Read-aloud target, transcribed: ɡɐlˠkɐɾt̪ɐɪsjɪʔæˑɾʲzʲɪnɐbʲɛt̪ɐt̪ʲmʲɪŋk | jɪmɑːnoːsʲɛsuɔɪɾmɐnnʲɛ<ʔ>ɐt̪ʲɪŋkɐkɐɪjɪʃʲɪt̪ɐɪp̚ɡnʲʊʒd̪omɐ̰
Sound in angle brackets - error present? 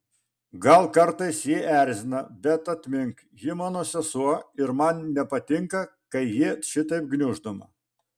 yes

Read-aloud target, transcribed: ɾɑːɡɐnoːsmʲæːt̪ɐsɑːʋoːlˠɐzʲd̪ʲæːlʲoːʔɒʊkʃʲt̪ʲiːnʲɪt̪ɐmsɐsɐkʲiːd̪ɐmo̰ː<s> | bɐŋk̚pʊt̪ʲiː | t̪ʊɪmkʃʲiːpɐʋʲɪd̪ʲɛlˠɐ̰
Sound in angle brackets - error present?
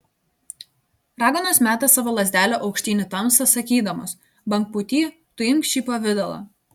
no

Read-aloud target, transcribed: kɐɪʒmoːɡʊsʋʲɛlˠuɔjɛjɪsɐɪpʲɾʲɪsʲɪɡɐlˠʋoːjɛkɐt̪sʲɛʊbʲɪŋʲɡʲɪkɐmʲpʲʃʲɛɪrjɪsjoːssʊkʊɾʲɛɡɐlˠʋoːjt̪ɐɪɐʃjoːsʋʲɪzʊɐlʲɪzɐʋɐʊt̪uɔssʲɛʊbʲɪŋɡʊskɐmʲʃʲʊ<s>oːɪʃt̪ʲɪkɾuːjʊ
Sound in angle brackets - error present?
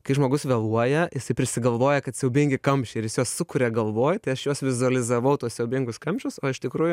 no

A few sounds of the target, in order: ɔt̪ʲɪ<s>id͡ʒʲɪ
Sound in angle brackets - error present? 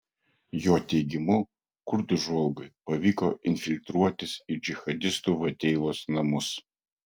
no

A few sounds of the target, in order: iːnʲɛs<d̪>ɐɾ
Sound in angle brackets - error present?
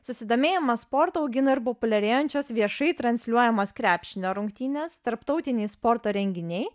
yes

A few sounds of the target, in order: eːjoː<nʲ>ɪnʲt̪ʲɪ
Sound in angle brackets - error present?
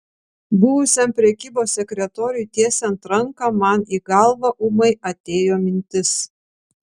yes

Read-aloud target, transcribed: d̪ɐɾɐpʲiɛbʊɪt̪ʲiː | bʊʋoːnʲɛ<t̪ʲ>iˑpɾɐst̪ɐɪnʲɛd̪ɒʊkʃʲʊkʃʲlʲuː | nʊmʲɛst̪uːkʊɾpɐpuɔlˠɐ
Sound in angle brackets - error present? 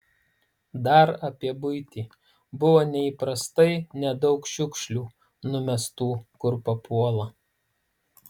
yes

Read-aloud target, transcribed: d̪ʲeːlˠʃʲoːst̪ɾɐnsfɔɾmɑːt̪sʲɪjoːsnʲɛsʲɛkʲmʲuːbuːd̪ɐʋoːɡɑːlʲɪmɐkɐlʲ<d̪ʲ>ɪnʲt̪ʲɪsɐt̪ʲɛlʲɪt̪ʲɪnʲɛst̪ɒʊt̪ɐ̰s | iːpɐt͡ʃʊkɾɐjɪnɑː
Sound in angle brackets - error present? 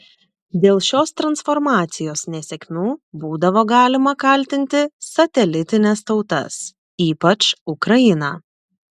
yes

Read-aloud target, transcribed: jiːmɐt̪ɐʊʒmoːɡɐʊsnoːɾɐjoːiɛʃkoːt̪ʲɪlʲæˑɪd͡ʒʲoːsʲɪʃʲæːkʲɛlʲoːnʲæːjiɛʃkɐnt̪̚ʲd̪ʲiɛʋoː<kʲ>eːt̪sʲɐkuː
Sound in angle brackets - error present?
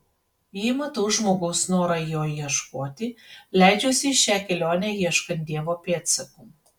yes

